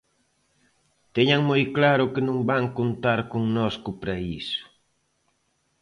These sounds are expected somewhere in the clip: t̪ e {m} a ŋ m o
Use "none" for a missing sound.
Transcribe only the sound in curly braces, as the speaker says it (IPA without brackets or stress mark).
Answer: ɲ